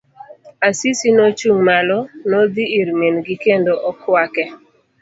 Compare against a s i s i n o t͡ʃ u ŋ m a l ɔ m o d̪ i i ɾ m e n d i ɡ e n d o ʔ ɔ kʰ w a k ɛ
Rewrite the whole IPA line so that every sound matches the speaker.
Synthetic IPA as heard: a s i s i n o t͡ʃ u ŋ m a l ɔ n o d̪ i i ɾ m e n ɡ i k e n d o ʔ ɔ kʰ w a k ɛ